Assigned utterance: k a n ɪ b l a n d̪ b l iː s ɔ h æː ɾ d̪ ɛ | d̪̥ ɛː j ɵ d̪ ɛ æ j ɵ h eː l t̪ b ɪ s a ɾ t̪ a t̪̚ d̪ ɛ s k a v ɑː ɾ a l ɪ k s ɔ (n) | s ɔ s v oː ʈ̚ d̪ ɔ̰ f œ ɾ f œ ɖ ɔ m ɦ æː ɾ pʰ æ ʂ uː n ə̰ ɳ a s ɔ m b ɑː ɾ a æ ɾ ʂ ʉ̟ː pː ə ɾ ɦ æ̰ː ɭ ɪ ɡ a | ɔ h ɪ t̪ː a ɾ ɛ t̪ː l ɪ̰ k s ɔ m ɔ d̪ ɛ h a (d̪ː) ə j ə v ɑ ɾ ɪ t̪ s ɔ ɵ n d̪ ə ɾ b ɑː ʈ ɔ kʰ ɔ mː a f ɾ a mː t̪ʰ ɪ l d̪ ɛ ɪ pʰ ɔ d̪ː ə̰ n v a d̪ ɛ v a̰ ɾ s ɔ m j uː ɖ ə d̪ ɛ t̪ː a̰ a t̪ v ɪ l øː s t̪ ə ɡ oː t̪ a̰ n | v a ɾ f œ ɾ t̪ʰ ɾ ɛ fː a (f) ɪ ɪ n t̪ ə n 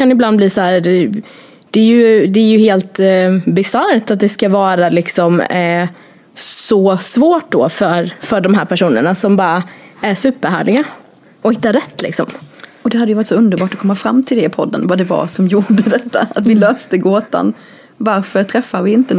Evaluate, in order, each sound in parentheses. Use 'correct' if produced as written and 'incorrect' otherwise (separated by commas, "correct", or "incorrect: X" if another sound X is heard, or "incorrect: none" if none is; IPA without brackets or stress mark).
incorrect: m, incorrect: d̪, incorrect: v